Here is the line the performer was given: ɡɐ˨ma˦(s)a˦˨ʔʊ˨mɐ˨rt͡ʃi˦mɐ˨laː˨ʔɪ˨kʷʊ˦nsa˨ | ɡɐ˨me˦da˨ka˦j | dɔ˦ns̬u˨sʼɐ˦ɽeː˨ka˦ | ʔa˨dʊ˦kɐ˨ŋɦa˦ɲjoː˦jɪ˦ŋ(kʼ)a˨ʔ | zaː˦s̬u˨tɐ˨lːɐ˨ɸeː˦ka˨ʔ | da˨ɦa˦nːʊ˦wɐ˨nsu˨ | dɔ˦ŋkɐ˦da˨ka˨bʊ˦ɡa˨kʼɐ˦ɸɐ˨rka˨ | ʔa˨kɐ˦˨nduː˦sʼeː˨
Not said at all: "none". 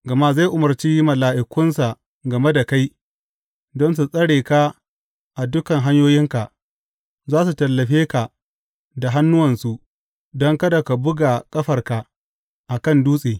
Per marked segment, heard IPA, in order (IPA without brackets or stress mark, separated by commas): z, k